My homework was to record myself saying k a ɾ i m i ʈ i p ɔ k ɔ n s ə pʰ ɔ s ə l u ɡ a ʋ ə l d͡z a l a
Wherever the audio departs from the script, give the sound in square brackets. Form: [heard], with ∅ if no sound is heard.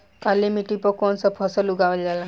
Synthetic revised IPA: k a [l] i m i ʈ i p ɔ k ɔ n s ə pʰ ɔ s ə l u ɡ a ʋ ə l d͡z a l a